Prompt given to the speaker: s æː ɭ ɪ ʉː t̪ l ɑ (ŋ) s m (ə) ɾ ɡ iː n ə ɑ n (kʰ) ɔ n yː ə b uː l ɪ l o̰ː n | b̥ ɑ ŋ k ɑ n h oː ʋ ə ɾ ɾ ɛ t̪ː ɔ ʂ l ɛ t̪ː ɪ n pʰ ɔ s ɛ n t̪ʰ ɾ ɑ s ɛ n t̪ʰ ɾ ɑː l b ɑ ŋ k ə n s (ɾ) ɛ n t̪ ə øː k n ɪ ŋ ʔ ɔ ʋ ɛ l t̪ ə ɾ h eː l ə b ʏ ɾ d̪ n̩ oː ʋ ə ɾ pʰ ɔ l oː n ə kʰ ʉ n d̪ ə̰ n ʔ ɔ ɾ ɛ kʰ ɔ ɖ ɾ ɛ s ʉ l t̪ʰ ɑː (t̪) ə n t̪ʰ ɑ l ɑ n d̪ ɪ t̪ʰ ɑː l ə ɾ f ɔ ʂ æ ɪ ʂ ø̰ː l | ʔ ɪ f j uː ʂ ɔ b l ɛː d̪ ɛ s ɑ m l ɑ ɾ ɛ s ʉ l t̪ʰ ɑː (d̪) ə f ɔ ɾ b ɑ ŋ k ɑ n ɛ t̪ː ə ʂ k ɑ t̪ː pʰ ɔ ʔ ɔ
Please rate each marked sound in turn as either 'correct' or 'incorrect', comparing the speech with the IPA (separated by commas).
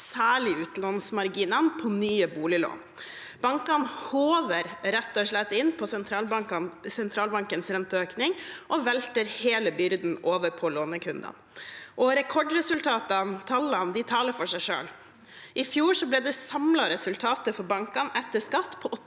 incorrect, incorrect, incorrect, correct, correct, incorrect